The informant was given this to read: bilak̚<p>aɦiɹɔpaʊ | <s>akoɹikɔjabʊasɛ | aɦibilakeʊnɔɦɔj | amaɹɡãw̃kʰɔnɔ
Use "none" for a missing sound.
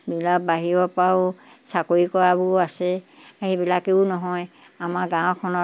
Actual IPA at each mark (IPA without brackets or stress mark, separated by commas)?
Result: b, s